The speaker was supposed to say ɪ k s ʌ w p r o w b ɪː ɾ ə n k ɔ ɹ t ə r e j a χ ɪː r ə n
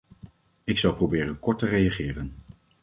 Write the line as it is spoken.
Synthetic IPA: ɪ k s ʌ w p r o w b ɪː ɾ ə n k ɔ ɹ t ə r e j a χ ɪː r ə n